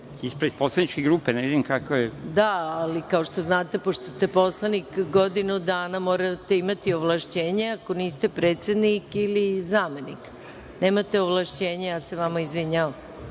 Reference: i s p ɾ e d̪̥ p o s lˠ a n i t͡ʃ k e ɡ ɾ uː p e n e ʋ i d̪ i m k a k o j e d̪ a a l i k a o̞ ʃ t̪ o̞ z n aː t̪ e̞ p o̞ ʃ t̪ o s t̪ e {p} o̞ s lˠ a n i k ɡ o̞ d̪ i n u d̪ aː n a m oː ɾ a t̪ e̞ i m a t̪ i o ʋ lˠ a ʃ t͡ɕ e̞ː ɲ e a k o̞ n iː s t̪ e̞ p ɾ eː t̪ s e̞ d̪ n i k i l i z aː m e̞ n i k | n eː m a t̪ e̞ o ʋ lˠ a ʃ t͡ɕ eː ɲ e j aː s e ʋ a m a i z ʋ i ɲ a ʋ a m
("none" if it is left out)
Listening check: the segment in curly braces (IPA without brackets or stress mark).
p